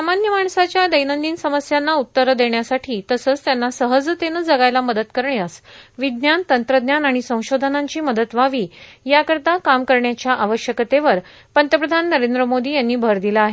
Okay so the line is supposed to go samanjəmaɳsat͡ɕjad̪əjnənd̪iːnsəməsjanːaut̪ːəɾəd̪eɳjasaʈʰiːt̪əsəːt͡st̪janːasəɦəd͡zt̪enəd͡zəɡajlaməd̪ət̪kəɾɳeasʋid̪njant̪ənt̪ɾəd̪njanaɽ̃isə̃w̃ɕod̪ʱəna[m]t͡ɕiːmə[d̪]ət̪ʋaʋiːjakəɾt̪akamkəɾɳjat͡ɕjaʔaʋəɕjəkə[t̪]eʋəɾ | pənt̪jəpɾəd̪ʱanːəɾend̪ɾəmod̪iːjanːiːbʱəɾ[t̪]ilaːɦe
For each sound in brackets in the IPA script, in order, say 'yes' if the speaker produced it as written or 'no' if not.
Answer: no, yes, yes, no

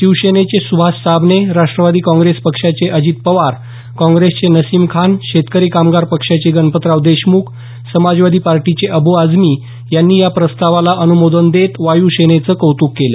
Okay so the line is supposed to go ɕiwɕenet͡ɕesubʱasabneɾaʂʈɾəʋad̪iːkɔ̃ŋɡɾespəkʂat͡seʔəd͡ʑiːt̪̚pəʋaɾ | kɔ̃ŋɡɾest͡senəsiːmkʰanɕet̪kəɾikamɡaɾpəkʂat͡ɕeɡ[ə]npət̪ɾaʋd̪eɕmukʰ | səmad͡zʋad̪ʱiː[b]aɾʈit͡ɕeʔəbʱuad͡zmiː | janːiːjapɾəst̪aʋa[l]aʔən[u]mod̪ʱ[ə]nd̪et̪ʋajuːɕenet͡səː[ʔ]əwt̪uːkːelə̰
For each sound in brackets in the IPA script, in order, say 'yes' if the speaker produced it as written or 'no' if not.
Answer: yes, no, yes, yes, yes, no

